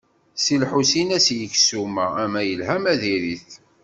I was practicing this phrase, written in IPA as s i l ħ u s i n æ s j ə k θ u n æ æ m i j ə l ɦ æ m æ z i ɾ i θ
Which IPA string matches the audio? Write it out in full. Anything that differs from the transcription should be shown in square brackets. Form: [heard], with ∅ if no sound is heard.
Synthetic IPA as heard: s i l ħ u s i n æ s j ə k [s] u [m] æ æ m [æ] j ə l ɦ æ m æ [ð] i ɾ i θ